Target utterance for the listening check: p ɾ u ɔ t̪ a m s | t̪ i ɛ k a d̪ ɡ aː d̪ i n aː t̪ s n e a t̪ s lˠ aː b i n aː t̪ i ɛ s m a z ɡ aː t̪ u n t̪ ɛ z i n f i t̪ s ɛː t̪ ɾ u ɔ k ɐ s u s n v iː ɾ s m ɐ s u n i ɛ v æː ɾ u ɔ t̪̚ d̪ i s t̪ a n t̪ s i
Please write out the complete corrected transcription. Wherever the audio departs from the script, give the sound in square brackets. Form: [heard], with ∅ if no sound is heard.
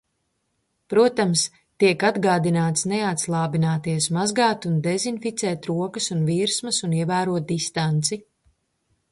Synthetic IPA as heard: p ɾ u ɔ t̪ a m s | t̪ i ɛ k a d̪ ɡ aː d̪ i n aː t̪ s n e a t̪ s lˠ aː b i n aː t̪ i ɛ s m a z ɡ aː t̪ u n [d̪] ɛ z i n f i t̪ s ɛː t̪ ɾ u ɔ k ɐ s u [∅] n v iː ɾ s m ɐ s u n i ɛ v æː ɾ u ɔ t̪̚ d̪ i s t̪ a n t̪ s i